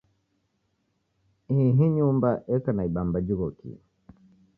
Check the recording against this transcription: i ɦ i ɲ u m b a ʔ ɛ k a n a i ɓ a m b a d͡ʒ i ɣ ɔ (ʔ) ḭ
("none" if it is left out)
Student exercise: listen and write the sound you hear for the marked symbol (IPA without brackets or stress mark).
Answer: k